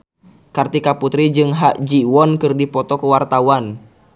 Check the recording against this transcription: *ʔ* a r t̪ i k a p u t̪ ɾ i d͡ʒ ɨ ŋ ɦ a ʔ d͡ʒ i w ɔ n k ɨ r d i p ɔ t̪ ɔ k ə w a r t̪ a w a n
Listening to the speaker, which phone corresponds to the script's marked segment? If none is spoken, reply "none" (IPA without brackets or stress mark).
k